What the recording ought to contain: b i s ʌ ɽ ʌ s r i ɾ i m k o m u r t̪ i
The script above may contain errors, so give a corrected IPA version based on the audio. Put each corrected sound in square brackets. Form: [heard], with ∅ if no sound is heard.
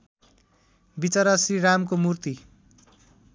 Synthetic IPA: b i [t͡s] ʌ [ɾ] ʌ s r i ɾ [a] m k o m u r t̪ i